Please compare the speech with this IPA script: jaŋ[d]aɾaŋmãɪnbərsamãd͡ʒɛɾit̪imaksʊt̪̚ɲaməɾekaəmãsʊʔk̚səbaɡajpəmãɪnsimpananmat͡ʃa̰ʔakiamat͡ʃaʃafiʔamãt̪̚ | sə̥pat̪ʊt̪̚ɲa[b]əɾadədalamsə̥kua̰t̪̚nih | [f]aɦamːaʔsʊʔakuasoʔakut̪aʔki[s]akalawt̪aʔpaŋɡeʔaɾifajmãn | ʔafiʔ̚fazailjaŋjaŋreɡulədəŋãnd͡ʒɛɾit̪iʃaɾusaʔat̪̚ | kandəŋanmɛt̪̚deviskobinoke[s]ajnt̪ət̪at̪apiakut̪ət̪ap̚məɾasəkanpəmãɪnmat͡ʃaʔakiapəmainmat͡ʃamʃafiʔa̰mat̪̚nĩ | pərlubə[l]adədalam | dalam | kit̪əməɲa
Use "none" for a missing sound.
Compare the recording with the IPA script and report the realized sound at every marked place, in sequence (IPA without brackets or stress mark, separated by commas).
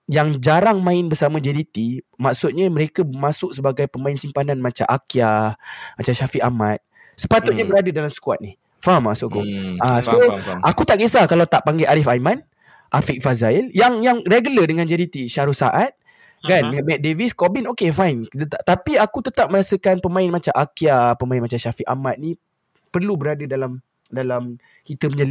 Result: d͡ʒ, b, f, s, f, ɾ